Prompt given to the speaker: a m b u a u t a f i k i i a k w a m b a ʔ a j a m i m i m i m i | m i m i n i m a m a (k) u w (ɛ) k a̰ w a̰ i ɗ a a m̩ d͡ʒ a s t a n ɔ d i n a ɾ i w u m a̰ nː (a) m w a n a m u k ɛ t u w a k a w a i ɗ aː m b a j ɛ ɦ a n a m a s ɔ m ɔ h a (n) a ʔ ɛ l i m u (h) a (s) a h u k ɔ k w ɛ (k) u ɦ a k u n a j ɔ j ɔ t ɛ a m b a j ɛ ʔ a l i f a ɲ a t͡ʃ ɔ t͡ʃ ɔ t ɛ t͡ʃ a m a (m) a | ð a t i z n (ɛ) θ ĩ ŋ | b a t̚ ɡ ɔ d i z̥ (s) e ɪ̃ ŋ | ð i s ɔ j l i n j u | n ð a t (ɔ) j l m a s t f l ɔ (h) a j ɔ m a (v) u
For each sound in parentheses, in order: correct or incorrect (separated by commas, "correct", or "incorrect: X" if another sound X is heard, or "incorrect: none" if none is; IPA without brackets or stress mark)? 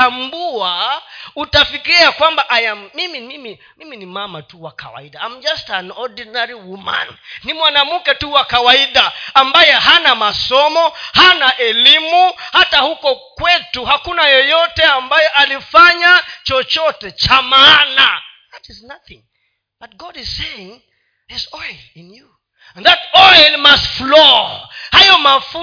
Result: incorrect: t, incorrect: a, incorrect: i, correct, correct, incorrect: t, incorrect: t, incorrect: n, incorrect: a, correct, correct, correct, incorrect: f